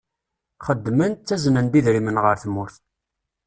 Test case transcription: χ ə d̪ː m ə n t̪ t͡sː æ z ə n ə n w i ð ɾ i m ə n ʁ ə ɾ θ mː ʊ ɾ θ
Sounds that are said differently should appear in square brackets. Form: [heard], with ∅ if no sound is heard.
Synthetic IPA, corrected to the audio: χ ə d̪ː m ə n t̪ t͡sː æ z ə n ə n [b] i ð ɾ i m ə n ʁ ə ɾ θ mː ʊ ɾ θ